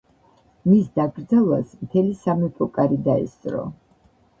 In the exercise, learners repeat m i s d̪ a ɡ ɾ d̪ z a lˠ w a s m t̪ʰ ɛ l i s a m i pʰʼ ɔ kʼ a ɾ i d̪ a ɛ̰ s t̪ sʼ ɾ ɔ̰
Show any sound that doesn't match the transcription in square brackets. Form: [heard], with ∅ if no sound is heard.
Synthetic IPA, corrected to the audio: m i s d̪ a ɡ ɾ d̪ z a lˠ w a s m t̪ʰ ɛ l i s a m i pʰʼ ɔ kʼ a ɾ i d̪ a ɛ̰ s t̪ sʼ ɾ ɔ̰